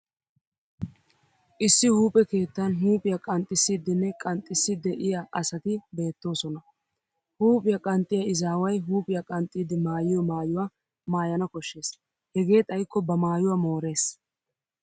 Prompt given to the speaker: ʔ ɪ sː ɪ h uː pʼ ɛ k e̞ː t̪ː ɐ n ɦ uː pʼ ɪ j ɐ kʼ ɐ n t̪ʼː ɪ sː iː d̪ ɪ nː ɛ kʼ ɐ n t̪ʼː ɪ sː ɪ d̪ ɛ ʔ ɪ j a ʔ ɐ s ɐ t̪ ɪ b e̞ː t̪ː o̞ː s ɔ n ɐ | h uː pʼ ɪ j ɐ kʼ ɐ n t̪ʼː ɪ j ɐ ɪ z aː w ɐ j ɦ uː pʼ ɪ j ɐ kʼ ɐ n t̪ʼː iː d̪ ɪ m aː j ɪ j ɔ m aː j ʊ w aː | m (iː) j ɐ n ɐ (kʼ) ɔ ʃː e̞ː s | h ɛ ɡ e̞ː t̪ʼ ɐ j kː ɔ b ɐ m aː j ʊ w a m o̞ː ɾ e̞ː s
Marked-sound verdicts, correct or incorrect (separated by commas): incorrect, incorrect